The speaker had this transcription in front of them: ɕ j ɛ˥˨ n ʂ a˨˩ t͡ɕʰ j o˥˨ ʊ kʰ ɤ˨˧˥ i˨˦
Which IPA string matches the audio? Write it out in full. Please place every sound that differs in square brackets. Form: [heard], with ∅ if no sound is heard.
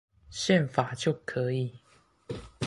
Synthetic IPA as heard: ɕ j ɛ˥˨ n [f] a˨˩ [t͡ɕ] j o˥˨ ʊ kʰ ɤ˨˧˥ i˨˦